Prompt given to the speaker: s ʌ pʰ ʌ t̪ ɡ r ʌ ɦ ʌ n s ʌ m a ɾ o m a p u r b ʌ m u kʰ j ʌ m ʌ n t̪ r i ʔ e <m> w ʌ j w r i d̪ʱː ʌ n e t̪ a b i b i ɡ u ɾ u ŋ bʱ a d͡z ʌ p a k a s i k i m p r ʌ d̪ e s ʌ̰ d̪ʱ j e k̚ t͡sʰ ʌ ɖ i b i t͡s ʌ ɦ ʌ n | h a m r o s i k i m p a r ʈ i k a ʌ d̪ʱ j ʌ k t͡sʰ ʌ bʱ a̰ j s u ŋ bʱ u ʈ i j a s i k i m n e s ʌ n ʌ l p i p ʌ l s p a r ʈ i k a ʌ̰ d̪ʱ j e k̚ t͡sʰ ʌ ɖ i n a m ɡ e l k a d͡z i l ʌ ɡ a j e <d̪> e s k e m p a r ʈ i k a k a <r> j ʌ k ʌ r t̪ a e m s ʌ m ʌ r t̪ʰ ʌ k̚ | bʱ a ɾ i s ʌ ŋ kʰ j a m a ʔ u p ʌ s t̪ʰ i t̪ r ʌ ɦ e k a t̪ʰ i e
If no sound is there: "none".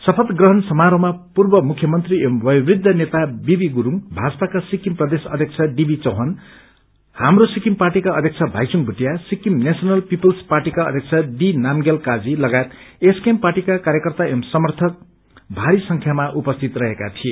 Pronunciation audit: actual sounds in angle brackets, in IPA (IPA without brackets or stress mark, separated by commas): m, t̪, ɾ